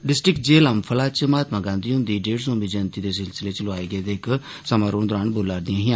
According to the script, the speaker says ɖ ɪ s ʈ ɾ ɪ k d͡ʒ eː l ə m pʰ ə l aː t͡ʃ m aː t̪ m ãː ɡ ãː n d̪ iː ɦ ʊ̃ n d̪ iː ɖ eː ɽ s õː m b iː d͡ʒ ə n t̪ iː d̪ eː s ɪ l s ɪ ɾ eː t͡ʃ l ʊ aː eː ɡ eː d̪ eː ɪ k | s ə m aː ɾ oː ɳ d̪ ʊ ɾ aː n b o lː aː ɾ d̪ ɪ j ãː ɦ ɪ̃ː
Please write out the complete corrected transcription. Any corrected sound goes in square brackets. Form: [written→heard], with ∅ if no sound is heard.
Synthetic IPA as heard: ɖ ɪ s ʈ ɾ ɪ k d͡ʒ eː l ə m pʰ ə l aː t͡ʃ m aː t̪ m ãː ɡ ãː n d̪ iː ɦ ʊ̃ n d̪ iː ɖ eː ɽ s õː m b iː d͡ʒ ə n t̪ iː d̪ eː s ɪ l s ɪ [ɾ→l] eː t͡ʃ l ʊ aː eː ɡ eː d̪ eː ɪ k | s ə m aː ɾ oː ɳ d̪ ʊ ɾ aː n b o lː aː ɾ d̪ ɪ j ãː ɦ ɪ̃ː